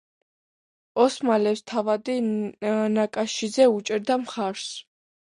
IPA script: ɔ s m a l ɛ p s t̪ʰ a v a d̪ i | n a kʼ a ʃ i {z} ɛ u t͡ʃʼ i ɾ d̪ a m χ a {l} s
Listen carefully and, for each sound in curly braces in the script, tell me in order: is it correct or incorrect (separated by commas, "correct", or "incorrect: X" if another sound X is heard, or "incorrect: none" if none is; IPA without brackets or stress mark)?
correct, incorrect: ɾ